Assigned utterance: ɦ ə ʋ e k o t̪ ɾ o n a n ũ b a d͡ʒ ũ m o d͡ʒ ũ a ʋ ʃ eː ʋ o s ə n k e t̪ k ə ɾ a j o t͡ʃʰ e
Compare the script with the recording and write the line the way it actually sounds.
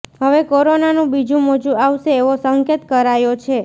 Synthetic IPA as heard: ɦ ə ʋ e k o ɾ o n a n ũ b i d͡ʒ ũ m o d͡ʒ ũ a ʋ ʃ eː ʋ o s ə ŋ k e t̪ k ə ɾ a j o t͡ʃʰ e